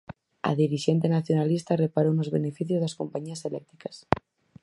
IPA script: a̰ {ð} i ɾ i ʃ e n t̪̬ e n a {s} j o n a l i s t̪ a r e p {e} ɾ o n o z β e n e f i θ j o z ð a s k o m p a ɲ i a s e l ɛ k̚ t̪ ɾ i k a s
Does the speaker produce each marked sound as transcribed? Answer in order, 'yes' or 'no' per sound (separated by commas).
yes, no, no